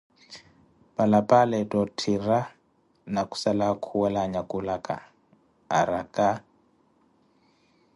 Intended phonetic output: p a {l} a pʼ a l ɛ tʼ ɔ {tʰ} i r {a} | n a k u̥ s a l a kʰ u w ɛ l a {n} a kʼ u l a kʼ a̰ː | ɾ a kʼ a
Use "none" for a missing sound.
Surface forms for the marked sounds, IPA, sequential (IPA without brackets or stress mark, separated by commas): l, tʰ, a, ɲ